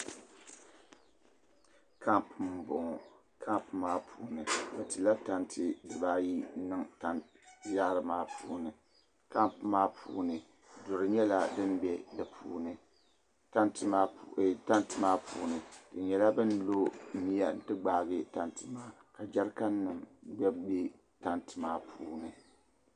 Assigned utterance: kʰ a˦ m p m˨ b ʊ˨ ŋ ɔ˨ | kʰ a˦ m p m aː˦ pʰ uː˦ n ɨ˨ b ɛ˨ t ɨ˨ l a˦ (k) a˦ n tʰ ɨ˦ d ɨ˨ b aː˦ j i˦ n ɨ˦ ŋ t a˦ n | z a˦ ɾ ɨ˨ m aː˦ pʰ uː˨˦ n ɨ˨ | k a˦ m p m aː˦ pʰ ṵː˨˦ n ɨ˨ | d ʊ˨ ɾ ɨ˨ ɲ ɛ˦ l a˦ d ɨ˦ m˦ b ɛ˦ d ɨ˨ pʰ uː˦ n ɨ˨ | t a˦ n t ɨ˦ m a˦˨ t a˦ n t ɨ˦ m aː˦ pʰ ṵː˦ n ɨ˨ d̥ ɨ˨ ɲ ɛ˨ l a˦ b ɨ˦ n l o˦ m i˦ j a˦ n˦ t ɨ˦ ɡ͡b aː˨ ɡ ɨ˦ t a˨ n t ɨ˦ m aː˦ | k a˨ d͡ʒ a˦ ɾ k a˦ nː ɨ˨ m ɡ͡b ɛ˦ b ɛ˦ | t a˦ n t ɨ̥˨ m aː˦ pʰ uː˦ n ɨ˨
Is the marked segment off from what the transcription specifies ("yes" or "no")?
yes